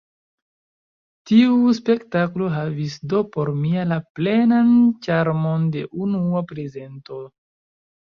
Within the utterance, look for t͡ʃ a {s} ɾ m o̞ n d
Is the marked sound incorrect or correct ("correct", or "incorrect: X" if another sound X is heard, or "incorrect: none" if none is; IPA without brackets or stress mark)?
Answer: incorrect: none